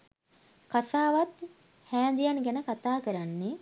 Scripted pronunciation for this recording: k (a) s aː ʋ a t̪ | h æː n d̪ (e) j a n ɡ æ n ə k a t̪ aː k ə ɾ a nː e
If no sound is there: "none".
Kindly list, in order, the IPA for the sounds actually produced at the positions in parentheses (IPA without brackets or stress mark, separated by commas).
a, i